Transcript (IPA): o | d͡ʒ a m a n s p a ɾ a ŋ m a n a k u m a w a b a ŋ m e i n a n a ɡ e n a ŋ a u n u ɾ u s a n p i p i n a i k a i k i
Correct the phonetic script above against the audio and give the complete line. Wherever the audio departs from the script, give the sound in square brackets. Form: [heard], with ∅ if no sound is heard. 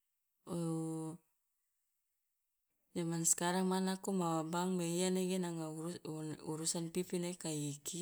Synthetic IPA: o | d͡ʒ a m a n s [k] a ɾ a ŋ m a n a k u m a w a b a ŋ m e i [∅] a n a ɡ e n a ŋ a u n u ɾ u s a n p i p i n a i k a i k i